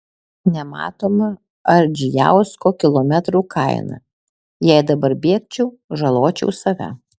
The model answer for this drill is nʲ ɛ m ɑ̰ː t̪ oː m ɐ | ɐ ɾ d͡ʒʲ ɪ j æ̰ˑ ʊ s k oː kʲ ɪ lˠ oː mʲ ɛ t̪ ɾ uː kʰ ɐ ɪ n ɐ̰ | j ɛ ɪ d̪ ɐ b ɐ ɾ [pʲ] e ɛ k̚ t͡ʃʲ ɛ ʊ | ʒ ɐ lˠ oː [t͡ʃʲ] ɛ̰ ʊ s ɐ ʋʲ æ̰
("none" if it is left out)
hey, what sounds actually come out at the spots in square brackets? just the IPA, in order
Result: bʲ, t͡ʃʲ

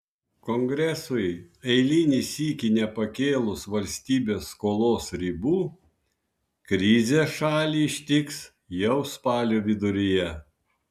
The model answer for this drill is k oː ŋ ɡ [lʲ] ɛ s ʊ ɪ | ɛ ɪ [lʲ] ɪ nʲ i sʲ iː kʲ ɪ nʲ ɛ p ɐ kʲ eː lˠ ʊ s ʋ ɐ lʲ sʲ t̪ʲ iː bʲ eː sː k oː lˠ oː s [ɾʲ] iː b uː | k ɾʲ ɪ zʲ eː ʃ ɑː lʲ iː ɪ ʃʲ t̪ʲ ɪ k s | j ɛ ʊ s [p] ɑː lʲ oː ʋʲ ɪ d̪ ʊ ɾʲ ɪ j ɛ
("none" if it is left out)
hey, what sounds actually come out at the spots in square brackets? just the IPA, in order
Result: ɾʲ, lʲ, ɾʲ, p

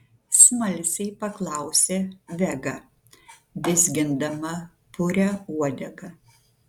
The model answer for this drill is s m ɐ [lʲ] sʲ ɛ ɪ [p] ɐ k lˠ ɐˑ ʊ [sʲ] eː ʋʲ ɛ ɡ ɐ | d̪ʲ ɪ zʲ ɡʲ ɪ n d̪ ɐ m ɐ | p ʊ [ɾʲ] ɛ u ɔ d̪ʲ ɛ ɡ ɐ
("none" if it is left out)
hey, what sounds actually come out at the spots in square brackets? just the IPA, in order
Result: lʲ, p, sʲ, ɾʲ

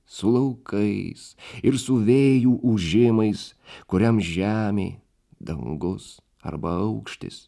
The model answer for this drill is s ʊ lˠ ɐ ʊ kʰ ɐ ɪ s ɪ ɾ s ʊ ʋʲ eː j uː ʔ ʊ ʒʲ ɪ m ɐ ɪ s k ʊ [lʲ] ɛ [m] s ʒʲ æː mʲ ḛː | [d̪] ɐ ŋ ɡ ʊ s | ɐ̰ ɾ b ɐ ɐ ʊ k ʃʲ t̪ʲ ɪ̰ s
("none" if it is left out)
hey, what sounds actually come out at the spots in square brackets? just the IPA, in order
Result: ɾʲ, m, d̪

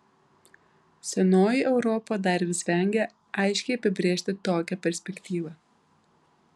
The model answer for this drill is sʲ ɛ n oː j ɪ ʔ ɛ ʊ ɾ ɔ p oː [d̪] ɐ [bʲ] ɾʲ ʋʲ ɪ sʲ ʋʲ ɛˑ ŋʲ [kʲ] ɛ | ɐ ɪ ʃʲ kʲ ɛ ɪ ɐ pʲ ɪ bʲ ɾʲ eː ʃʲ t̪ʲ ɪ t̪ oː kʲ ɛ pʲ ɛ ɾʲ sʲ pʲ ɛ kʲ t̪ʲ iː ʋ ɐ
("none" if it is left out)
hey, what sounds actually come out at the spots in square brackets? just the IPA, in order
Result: d̪, none, ɡʲ

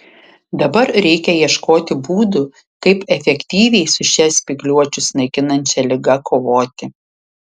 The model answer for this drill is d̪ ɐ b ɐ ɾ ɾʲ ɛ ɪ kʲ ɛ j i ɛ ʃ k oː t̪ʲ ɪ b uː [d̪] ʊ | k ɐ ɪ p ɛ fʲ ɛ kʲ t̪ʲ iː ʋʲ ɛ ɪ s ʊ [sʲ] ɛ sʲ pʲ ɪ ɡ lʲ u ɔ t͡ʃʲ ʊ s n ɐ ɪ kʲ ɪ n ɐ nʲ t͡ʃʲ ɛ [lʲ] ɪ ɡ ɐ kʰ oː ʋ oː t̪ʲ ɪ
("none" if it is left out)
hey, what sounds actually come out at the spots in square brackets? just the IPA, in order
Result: d̪, ʃʲ, lʲ

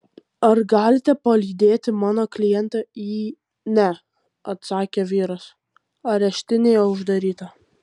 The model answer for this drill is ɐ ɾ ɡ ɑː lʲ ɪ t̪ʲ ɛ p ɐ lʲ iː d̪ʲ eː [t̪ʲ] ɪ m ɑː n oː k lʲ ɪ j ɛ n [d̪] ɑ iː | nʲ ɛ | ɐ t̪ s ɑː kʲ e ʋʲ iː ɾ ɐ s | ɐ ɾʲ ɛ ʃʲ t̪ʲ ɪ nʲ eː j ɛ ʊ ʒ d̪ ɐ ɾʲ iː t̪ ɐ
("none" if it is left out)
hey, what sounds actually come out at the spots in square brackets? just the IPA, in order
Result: t̪ʲ, t̪

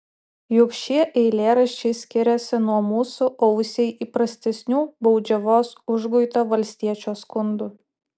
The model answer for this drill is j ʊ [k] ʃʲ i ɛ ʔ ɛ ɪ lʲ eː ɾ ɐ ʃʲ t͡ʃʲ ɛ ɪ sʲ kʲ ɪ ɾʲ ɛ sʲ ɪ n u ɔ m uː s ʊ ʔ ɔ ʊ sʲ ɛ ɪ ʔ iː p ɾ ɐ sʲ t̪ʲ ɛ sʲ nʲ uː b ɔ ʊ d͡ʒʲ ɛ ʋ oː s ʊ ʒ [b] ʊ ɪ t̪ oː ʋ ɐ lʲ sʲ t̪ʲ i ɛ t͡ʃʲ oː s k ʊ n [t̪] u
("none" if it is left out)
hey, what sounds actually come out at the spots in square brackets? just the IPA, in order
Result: k, ɡ, d̪

